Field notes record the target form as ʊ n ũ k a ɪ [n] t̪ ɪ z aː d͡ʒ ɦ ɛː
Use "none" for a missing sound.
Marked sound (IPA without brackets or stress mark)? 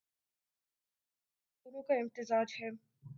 m